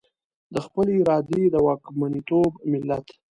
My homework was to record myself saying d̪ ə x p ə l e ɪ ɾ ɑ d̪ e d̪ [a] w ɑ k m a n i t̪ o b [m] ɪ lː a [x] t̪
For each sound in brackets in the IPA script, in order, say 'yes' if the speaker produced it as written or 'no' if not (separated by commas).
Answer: no, yes, no